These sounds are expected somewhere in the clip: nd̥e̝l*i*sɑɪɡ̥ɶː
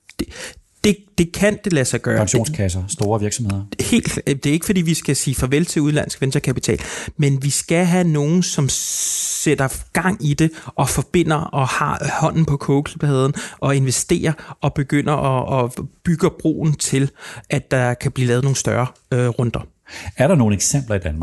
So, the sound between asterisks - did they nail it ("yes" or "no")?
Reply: no